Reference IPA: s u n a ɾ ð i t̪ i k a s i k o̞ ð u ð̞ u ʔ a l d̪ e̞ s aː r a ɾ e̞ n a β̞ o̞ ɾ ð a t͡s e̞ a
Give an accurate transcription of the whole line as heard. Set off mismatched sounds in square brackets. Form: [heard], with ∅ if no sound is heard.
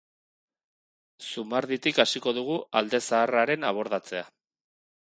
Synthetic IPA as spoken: s u [m] a ɾ ð i t̪ i k a s i k o̞ ð u [ɣ̞] u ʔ a l d̪ e̞ s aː r a ɾ e̞ n a β̞ o̞ ɾ ð a t͡s e̞ a